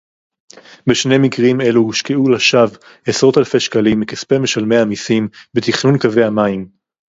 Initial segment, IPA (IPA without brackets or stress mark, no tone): b